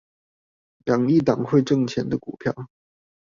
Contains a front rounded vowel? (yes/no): no